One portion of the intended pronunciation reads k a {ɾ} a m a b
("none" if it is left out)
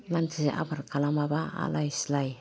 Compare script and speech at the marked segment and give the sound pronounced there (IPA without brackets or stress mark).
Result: l